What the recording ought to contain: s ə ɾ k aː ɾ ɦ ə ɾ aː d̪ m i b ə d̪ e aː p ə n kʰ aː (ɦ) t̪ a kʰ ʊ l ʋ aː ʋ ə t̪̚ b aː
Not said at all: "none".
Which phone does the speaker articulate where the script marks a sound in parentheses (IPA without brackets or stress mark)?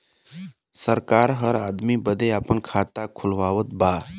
none